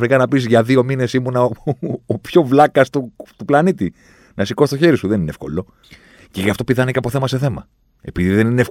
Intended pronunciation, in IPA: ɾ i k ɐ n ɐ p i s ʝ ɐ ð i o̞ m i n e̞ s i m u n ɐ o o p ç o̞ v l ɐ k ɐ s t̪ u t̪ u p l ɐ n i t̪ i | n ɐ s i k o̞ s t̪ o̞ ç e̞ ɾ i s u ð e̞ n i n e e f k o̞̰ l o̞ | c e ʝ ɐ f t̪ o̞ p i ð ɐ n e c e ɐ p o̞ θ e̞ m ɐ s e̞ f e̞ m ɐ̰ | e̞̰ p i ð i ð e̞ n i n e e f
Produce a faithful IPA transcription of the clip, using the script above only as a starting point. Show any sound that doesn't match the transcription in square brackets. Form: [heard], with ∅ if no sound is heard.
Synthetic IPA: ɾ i k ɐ n ɐ p i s ʝ ɐ ð i o̞ m i n e̞ s i m u n ɐ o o p ç o̞ v l ɐ k ɐ s t̪ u t̪ u p l ɐ n i t̪ i | n ɐ s i k o̞ s t̪ o̞ ç e̞ ɾ i s u ð e̞ n i n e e f k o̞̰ l o̞ | c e ʝ ɐ f t̪ o̞ p i ð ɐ n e c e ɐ p o̞ θ e̞ m ɐ s e̞ [θ] e̞ m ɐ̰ | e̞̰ p i ð i ð e̞ n i n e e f